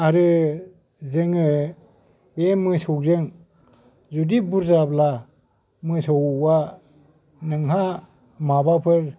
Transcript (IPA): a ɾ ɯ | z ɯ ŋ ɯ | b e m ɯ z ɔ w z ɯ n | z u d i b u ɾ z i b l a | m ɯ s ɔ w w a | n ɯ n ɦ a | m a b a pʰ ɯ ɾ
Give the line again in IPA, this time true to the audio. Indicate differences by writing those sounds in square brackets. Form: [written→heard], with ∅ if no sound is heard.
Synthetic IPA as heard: a ɾ ɯ | z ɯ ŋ ɯ | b e m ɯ [z→s] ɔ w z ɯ [n→ŋ] | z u d i b u ɾ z [i→a] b l a | m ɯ s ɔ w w a | n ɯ [n→ŋ] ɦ a | m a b a pʰ ɯ ɾ